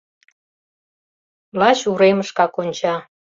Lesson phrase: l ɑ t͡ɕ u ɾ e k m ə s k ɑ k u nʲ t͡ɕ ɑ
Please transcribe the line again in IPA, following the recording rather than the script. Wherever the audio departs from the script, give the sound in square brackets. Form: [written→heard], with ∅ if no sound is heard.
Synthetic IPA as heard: l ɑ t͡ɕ u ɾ e [k→∅] m ə [s→ʃ] k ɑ k [u→o] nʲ t͡ɕ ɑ